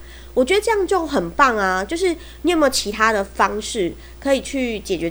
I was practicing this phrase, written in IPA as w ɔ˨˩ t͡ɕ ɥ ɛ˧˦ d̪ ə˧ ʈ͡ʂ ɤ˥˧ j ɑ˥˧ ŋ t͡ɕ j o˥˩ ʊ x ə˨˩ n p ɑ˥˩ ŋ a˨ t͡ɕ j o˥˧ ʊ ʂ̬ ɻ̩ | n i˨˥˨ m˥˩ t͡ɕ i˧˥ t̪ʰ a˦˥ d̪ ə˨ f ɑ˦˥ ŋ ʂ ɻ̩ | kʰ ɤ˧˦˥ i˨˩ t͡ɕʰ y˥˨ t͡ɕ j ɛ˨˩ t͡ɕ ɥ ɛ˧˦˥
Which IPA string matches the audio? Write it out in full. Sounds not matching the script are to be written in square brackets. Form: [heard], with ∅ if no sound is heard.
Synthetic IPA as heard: w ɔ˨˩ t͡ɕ ɥ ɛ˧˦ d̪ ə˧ ʈ͡ʂ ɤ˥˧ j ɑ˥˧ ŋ t͡ɕ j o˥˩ ʊ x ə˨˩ n p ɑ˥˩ ŋ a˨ t͡ɕ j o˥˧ ʊ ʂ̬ ɻ̩ | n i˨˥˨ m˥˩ [t͡ɕʰ] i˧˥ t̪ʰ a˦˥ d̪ ə˨ f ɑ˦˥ ŋ ʂ ɻ̩ | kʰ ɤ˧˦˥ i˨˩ t͡ɕʰ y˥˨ t͡ɕ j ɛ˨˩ t͡ɕ ɥ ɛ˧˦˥